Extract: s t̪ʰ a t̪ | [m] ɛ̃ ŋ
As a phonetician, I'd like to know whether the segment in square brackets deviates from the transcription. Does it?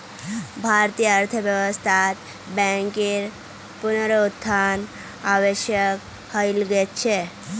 yes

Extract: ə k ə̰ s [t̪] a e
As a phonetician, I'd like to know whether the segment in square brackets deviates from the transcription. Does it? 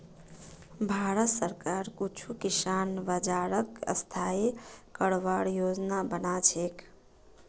yes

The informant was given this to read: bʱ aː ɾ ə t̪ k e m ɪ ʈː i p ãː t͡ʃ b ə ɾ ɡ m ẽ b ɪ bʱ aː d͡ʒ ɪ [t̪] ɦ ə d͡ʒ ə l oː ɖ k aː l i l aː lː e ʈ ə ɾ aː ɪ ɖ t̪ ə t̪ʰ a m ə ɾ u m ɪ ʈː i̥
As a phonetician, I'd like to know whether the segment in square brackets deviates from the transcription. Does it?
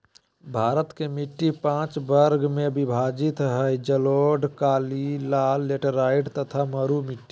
no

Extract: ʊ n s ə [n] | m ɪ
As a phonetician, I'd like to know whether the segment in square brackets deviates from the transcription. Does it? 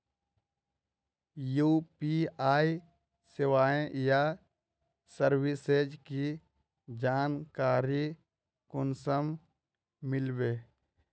yes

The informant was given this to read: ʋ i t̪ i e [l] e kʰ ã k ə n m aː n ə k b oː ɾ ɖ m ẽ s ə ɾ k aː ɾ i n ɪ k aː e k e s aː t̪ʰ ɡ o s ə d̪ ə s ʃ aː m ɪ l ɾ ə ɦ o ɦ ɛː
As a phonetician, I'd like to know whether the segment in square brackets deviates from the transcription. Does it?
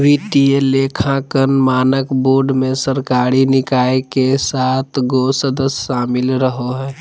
no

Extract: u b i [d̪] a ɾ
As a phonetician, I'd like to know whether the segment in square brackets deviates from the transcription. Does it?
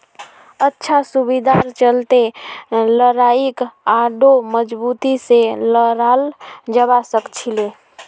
no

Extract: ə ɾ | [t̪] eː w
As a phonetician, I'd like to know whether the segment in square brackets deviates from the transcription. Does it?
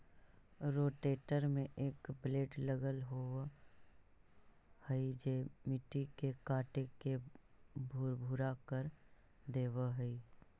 yes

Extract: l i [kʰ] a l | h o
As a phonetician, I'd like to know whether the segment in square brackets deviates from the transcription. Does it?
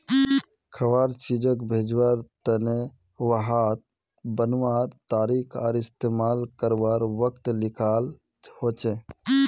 no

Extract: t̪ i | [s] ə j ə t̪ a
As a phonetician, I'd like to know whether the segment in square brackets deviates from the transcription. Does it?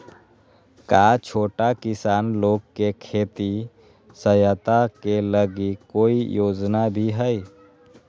no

